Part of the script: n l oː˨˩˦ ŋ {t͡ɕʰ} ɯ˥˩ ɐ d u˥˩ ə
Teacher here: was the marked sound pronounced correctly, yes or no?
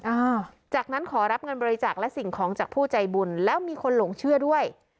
yes